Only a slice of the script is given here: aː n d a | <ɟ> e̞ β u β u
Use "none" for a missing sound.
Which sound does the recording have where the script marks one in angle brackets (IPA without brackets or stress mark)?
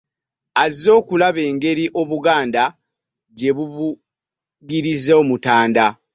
ɟ